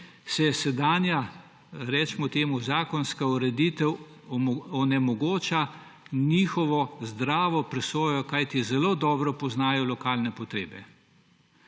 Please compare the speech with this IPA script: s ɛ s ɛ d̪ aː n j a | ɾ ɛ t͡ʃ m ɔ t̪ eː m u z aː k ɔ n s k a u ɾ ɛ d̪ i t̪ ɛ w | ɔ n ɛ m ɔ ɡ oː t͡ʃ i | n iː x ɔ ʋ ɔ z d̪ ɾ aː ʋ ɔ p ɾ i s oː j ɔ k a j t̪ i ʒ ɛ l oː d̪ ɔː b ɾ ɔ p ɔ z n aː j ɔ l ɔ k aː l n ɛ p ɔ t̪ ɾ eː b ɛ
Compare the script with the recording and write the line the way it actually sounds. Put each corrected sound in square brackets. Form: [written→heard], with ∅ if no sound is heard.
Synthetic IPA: s ɛ s ɛ d̪ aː n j a | ɾ ɛ t͡ʃ m ɔ t̪ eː m u z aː k ɔ n s k a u ɾ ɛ d̪ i t̪ ɛ w | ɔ n ɛ m ɔ ɡ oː t͡ʃ [i→a] | n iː x ɔ ʋ ɔ z d̪ ɾ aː ʋ ɔ p ɾ [i→ɛ] s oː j ɔ k a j t̪ i [ʒ→z] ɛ l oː d̪ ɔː b ɾ ɔ p ɔ z n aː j ɔ l ɔ k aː l n ɛ p ɔ t̪ ɾ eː b ɛ